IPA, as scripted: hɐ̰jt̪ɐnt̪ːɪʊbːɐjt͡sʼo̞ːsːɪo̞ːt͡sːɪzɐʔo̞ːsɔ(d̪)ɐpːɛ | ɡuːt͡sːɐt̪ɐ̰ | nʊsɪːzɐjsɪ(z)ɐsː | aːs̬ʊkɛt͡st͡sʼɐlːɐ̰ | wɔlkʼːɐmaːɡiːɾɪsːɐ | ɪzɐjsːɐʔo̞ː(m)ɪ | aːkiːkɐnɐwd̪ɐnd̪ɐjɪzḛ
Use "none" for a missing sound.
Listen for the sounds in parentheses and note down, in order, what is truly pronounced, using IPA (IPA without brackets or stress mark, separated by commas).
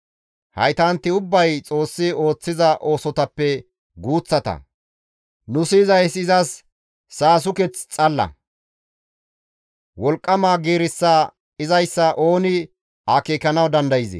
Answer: t̪, z, n